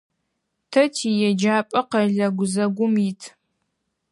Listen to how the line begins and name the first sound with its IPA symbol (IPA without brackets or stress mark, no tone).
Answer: tʰ